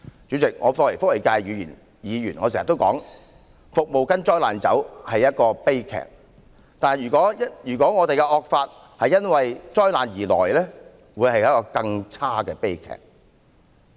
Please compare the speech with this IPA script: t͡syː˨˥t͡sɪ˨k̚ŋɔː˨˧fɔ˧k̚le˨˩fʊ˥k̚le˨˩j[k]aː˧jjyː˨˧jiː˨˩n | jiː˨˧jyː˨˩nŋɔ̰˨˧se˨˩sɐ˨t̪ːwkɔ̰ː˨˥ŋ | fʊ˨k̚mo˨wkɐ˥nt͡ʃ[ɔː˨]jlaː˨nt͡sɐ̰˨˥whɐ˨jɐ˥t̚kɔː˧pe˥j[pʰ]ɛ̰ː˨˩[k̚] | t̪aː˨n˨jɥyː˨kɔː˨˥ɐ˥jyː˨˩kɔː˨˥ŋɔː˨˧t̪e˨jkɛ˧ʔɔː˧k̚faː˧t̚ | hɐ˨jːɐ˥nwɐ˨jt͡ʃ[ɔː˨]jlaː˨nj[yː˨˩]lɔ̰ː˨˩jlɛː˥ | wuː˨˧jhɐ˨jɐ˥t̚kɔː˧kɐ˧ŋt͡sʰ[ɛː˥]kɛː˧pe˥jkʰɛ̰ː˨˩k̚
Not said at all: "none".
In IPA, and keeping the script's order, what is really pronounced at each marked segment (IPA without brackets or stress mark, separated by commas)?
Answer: k, ɔː˥, kʰ, k̚, ɔː˥, iː˨˩, aː˥